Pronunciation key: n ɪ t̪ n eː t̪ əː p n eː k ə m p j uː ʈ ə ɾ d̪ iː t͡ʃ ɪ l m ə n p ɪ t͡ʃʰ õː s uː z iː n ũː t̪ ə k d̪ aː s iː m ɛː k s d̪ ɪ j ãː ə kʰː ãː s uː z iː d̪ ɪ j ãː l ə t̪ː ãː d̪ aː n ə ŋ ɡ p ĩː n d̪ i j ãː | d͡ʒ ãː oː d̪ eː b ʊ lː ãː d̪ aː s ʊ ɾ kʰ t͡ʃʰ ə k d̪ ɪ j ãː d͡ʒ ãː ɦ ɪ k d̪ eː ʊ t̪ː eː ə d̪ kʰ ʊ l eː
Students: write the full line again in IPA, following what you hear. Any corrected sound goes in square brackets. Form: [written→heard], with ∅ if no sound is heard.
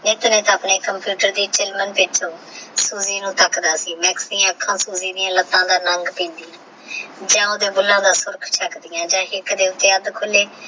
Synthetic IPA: n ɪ t̪ n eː t̪ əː p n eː k ə m p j uː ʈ ə ɾ d̪ iː t͡ʃ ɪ l m ə n p ɪ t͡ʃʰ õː s uː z iː n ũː t̪ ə k d̪ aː s iː m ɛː k s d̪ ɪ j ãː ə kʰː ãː s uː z iː d̪ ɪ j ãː l ə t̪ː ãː d̪ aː n ə ŋ ɡ p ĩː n d̪ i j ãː | d͡ʒ ãː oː d̪ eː b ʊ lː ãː d̪ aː s ʊ ɾ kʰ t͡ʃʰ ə k d̪ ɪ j ãː d͡ʒ ãː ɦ ɪ k d̪ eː ʊ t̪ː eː ə d̪ kʰ ʊ l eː